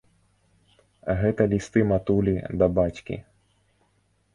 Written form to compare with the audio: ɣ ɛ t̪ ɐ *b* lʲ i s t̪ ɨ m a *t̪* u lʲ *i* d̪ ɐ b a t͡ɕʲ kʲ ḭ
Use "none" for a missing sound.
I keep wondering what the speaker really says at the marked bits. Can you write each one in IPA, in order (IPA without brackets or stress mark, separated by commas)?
none, t̪, i